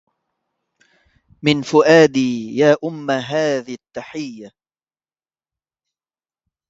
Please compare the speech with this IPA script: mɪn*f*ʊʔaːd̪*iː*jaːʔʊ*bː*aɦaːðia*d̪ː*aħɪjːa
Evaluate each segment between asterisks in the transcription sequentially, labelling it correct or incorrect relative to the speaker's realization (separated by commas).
correct, correct, incorrect, incorrect